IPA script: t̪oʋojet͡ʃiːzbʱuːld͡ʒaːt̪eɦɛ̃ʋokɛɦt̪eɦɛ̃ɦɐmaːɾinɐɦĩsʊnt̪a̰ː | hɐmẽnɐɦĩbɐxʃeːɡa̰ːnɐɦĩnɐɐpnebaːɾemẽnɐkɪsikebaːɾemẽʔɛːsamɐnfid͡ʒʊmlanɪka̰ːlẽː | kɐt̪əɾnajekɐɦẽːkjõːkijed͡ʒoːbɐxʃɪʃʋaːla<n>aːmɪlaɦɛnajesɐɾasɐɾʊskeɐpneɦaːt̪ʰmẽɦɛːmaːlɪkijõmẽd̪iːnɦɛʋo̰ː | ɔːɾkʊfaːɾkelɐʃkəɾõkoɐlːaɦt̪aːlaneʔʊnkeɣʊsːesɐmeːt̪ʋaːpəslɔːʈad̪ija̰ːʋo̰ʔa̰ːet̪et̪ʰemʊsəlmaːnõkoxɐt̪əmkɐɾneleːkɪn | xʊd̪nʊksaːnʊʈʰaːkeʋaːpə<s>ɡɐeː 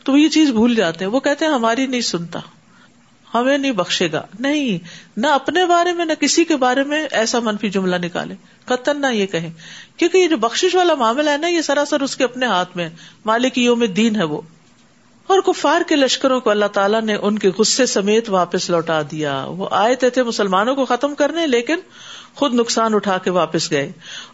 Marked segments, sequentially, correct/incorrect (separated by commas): incorrect, correct